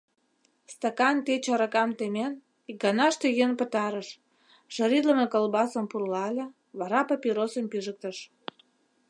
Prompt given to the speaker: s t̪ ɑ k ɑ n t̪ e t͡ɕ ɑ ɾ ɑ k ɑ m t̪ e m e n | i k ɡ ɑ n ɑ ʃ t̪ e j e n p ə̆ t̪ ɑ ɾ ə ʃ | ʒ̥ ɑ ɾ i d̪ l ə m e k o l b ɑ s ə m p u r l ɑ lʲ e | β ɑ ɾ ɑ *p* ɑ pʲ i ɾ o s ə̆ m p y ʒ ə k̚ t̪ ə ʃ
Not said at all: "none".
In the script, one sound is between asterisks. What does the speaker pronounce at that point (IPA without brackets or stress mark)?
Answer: p